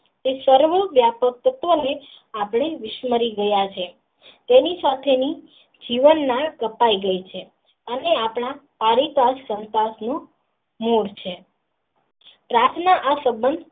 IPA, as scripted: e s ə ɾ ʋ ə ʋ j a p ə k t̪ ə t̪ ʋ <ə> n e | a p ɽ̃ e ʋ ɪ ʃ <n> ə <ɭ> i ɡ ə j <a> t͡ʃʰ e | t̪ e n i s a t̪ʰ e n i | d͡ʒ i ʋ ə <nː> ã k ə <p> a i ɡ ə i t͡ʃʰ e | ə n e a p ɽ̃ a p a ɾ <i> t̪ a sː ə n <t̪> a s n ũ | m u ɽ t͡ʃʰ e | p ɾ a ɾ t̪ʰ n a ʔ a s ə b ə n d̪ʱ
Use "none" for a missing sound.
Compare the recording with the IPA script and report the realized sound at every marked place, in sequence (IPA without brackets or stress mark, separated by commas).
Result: ə, m, ɾ, a, nː, p, i, t̪